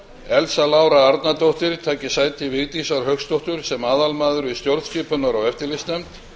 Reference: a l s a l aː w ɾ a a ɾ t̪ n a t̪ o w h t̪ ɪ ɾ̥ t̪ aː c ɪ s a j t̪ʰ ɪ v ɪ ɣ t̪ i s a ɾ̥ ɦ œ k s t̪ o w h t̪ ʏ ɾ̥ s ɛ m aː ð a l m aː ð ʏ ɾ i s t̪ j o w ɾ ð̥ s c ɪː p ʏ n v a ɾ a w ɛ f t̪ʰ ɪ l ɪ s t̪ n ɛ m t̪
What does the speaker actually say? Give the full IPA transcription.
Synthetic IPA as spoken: ɛ l s a l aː w ɾ a a ɾ t̪ n a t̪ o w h t̪ ɪ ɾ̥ t̪ʰ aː c ɪ s a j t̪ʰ ɪ v ɪ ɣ t̪ i s a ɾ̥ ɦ œ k s t̪ o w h t̪ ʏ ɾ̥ s ɛ m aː ð a l m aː ð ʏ ɾ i s t̪ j o w ɾ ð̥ s c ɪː p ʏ n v a ɾ a w ɛ f t̪ ɪ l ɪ s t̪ n ɛ m t̪